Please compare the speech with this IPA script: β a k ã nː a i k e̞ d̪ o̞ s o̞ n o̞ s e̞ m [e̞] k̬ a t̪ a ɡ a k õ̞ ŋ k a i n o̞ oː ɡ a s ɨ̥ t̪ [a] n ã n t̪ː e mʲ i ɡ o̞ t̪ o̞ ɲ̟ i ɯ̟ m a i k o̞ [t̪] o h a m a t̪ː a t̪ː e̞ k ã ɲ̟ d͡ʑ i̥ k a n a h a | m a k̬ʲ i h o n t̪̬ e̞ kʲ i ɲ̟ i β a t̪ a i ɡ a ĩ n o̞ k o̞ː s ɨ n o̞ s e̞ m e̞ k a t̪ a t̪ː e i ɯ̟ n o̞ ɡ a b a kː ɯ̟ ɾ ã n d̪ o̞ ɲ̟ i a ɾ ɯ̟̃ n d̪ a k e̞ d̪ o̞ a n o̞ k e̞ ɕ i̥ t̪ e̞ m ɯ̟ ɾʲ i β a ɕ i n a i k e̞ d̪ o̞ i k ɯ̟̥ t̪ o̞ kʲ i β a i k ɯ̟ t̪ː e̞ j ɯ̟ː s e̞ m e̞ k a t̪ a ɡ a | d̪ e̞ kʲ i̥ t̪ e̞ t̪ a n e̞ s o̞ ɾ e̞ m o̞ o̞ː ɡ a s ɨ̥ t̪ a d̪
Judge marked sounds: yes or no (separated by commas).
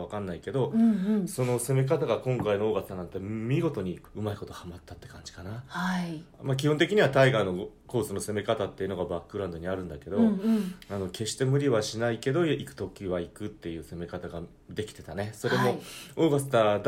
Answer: yes, yes, yes